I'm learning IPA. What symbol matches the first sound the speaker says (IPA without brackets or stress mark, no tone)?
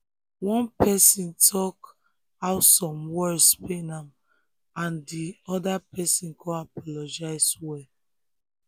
w